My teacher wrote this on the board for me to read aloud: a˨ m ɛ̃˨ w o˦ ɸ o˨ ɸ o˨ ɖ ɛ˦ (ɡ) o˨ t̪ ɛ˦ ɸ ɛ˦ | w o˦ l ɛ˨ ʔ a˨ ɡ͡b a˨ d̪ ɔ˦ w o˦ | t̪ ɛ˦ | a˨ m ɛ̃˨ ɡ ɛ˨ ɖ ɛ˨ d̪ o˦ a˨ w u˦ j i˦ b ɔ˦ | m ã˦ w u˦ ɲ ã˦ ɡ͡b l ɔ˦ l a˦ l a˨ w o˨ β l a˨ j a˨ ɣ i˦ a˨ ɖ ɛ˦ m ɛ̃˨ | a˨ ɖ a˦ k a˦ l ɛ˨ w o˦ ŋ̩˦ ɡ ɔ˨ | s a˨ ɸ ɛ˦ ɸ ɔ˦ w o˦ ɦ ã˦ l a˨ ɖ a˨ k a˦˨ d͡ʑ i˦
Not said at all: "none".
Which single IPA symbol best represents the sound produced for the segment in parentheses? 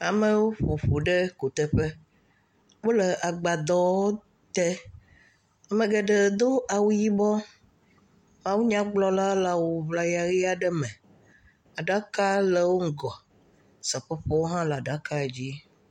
k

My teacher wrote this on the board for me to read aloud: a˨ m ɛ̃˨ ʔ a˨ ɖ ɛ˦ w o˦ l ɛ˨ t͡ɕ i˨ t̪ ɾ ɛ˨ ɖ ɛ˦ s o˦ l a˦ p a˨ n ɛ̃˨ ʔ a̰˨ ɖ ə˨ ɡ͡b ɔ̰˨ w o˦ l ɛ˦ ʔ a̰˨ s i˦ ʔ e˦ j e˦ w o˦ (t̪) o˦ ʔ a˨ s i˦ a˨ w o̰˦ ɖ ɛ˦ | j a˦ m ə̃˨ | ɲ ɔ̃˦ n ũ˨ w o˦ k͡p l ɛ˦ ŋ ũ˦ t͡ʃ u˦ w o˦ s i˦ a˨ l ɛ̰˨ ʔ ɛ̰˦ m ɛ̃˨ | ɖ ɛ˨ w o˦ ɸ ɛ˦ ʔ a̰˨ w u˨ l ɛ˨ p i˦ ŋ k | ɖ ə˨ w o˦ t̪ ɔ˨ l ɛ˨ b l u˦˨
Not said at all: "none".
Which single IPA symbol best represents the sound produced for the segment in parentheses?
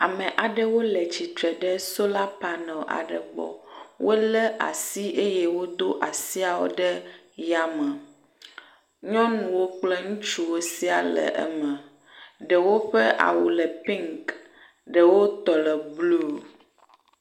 d̪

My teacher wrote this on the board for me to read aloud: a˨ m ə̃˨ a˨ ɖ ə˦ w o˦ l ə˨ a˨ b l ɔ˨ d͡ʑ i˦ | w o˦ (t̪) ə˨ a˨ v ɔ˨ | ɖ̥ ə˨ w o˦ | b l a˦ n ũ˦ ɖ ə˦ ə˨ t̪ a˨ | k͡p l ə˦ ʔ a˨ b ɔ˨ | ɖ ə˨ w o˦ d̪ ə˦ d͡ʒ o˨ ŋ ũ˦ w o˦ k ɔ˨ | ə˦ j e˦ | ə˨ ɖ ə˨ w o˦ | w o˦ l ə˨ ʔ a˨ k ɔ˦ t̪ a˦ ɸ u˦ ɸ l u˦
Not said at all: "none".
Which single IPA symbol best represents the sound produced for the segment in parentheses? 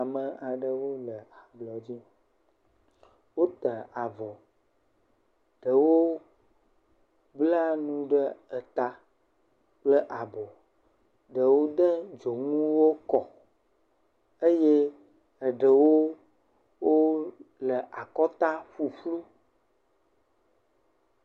t̪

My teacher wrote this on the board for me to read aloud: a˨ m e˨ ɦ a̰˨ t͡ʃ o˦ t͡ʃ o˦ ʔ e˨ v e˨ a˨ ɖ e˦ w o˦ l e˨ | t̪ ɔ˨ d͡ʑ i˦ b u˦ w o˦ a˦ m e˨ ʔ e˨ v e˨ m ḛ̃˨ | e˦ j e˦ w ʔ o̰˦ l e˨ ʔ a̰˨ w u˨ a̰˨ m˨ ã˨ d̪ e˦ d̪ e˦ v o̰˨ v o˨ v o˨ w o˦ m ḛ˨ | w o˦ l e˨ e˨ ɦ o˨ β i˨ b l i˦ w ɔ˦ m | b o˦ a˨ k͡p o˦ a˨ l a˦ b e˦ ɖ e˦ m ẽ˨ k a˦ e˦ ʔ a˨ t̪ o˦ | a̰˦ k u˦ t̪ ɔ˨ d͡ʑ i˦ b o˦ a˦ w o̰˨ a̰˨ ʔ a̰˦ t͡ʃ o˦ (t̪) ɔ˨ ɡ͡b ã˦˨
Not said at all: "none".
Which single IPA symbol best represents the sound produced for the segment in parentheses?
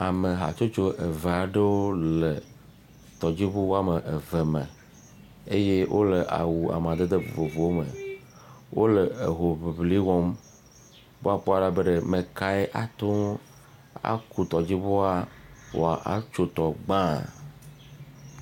t̪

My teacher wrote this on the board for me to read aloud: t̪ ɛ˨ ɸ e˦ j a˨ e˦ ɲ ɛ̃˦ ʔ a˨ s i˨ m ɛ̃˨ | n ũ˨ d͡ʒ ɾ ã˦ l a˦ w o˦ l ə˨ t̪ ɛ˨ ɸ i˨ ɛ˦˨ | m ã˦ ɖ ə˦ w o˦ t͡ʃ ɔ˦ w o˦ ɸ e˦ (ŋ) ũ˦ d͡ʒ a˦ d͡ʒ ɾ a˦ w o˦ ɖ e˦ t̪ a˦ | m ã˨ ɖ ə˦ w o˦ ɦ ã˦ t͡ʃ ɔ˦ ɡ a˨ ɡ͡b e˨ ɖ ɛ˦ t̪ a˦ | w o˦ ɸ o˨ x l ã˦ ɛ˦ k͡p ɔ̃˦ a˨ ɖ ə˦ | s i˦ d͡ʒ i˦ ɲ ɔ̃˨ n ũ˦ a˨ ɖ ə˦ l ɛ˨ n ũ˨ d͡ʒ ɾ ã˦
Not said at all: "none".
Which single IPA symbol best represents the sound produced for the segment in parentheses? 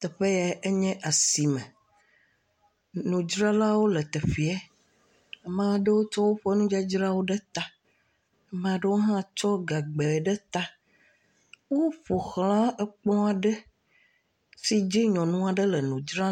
n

